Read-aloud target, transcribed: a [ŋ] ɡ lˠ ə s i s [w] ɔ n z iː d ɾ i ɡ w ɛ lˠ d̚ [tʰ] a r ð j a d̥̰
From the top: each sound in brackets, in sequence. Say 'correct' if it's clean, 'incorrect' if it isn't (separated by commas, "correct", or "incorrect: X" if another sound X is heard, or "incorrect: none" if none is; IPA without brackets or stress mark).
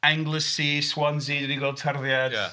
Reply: correct, correct, correct